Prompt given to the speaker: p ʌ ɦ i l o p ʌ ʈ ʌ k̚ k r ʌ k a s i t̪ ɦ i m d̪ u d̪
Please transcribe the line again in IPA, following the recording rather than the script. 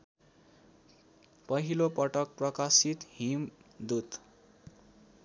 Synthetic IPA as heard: p ʌ ɦ i l o p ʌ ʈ ʌ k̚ p r ʌ k a s i t̪ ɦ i m d̪ u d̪